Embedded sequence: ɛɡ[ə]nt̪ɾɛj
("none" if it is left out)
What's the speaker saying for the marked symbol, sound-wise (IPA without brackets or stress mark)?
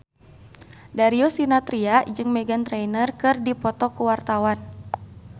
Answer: a